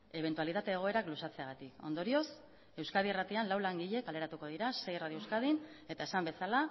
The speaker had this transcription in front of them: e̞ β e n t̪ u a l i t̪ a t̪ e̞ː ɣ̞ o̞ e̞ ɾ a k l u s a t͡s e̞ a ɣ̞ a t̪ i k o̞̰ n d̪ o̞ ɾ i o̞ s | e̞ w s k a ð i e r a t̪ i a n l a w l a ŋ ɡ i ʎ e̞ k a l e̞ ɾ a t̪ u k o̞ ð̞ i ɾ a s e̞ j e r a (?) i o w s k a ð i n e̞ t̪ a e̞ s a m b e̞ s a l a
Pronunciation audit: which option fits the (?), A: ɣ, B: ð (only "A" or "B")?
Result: B